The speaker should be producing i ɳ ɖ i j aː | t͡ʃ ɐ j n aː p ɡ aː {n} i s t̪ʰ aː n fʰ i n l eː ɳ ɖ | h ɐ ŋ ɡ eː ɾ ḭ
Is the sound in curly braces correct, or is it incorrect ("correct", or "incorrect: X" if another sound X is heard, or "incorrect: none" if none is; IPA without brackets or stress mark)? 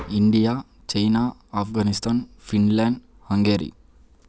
correct